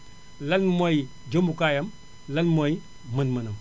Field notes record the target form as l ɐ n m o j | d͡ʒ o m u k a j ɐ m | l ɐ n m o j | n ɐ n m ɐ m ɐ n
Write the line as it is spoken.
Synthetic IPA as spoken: l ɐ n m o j | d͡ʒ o m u k a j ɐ m | l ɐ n m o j | m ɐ n m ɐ n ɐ m